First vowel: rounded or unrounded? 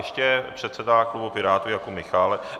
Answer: unrounded